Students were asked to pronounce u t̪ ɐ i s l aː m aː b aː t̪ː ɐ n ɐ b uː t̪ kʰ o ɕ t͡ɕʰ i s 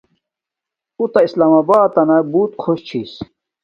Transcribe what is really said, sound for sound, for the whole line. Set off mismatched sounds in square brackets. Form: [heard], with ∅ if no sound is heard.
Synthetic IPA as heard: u t̪ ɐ i s l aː m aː b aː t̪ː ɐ n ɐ b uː t̪ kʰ o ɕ t͡ɕʰ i s